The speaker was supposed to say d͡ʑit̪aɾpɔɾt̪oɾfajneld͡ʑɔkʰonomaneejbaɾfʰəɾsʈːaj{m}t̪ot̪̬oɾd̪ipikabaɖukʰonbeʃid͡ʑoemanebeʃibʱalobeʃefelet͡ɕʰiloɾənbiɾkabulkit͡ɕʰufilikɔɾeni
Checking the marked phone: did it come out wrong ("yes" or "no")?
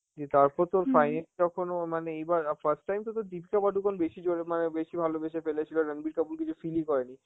no